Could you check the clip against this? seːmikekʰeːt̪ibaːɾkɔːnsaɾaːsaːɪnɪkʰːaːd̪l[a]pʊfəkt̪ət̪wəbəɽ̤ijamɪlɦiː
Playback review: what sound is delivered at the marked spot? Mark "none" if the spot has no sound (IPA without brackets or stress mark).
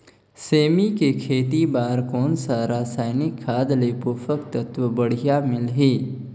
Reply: e